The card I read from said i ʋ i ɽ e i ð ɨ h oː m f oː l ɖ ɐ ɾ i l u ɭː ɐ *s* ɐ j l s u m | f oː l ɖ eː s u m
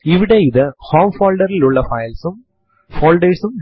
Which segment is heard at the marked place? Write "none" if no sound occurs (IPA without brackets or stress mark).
f